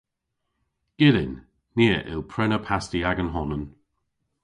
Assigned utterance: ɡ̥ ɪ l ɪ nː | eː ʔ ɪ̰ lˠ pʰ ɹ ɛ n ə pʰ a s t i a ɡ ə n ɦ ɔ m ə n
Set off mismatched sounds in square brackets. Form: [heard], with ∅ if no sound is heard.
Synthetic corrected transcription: ɡ̥ ɪ l ɪ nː | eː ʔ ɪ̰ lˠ pʰ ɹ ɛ n ə pʰ a s t i a ɡ ə n ɦ ɔ [n] ə n